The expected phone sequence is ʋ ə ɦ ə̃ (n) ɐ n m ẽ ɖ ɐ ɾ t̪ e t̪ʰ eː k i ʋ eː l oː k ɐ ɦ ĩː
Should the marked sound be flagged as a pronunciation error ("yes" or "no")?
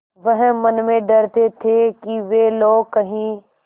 yes